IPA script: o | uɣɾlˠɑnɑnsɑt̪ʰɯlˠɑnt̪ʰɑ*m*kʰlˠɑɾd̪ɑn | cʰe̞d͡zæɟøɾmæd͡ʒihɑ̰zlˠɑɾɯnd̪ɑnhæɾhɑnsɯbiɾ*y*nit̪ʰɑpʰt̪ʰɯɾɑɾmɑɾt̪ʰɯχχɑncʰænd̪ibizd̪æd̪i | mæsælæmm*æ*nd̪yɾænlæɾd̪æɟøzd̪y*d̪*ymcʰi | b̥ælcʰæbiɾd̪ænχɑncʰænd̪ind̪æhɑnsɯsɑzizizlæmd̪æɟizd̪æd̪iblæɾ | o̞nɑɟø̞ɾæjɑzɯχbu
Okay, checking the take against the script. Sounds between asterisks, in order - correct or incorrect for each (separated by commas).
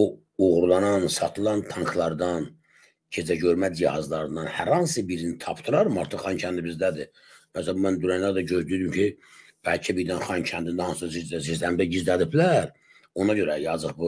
incorrect, incorrect, correct, correct